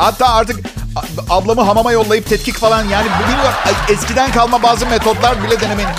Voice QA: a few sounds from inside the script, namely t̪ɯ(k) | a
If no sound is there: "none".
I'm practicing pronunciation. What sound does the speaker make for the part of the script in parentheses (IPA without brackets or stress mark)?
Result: k